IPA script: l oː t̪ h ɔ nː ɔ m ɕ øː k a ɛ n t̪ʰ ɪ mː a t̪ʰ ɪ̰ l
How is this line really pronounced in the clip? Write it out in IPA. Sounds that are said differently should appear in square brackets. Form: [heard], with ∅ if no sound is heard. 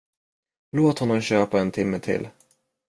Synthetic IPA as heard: l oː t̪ h ɔ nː ɔ m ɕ øː [p] a ɛ n t̪ʰ ɪ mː [ə] t̪ʰ ɪ̰ l